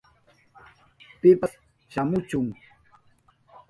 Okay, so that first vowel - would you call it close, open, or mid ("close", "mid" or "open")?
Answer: close